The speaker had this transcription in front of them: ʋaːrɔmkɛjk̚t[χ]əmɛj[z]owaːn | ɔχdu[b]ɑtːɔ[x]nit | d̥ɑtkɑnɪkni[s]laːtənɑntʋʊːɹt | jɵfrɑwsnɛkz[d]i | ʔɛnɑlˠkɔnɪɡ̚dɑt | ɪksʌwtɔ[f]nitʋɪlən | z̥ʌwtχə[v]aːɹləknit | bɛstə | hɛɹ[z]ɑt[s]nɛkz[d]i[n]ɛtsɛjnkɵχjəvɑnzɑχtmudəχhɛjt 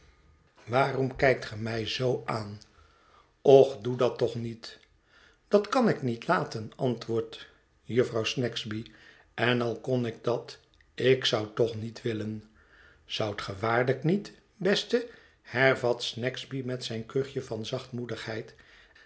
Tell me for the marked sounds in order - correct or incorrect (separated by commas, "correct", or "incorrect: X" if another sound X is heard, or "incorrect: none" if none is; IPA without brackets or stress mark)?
correct, correct, incorrect: d, incorrect: χ, incorrect: t, incorrect: b, incorrect: χ, incorrect: ʋ, incorrect: v, correct, incorrect: b, incorrect: m